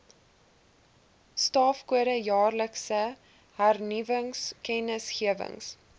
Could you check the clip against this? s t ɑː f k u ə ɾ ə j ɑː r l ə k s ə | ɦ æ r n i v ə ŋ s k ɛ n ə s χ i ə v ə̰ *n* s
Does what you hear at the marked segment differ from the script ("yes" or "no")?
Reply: yes